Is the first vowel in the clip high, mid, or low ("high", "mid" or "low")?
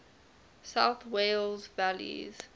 low